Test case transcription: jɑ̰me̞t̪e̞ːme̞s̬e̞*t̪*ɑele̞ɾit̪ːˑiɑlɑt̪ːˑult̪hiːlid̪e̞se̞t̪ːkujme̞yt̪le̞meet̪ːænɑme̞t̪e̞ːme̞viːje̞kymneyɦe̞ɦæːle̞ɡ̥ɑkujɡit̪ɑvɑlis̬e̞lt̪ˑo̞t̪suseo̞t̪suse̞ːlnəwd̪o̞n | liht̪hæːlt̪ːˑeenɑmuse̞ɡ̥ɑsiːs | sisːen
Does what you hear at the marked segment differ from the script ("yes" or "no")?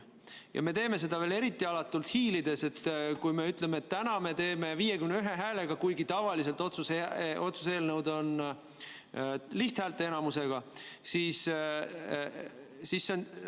yes